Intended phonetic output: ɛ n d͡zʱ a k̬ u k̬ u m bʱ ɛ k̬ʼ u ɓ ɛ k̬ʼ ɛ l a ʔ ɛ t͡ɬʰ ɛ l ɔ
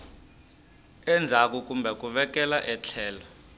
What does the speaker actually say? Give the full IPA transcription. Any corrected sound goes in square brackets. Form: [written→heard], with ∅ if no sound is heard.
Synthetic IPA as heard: ɛ n d͡zʱ a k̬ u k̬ u m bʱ ɛ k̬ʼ u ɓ ɛ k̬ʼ ɛ l a ʔ ɛ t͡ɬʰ [ɛ→ɛː] l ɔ